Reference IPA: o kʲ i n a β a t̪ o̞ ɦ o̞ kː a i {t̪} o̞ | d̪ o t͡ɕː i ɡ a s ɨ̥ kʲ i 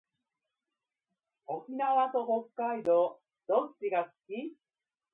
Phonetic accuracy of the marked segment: incorrect: d̪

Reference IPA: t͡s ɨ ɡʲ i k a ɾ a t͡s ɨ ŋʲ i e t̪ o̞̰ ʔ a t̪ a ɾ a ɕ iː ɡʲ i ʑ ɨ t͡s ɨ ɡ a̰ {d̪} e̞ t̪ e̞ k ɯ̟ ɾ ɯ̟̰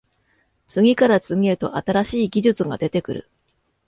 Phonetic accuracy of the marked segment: correct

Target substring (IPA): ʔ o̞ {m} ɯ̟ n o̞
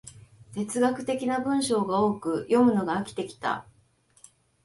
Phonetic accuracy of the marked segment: correct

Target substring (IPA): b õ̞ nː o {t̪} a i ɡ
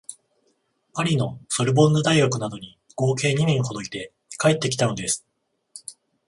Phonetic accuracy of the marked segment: incorrect: d̪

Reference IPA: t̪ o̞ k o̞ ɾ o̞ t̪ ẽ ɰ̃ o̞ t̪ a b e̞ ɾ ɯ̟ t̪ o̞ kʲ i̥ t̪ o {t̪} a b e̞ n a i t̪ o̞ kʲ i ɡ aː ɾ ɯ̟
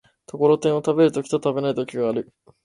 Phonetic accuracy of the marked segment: correct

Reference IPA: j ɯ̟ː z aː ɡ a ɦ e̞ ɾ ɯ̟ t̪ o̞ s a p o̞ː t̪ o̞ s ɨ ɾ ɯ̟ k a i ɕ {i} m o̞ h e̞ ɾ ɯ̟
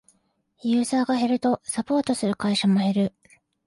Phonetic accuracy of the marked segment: incorrect: a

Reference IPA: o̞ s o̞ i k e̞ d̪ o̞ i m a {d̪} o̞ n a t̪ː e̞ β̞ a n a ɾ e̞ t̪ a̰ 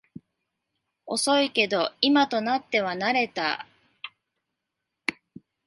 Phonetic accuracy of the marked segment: incorrect: t̪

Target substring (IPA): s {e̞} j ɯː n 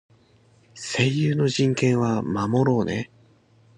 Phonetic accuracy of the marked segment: correct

